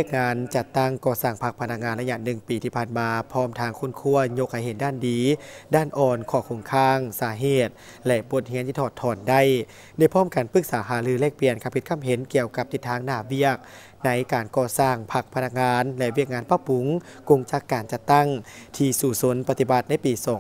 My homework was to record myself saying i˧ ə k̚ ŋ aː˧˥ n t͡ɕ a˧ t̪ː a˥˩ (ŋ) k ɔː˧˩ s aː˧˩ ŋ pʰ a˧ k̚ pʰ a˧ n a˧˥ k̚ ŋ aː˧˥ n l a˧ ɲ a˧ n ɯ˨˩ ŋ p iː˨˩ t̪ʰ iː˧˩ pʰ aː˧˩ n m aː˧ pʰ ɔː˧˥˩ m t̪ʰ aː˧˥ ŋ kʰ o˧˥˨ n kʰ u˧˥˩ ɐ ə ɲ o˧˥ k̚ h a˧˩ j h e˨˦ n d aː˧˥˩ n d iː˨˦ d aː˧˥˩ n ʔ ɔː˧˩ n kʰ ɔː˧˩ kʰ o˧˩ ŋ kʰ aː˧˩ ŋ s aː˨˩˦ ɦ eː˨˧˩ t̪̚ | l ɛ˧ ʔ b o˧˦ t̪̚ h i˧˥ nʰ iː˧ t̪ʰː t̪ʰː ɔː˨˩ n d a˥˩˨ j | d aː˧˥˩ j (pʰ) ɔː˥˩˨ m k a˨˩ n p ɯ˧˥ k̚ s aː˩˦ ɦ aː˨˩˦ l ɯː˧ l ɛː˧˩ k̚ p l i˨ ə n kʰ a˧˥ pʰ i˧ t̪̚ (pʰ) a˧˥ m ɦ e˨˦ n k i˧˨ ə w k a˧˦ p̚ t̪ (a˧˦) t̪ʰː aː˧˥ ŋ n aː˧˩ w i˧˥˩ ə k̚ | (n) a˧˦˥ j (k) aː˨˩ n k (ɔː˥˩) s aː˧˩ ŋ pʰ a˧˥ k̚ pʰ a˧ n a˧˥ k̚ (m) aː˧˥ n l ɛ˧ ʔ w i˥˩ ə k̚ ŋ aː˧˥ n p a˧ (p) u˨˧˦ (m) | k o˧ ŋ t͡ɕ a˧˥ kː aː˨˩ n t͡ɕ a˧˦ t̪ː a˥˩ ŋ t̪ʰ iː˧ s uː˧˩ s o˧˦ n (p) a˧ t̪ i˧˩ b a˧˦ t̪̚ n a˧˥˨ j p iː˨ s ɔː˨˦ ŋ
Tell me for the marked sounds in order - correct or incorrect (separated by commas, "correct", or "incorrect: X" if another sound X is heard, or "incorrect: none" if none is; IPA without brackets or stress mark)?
correct, correct, incorrect: kʰ, incorrect: i˧˦, correct, correct, incorrect: ɔː˧, incorrect: ŋ, correct, incorrect: ŋ, correct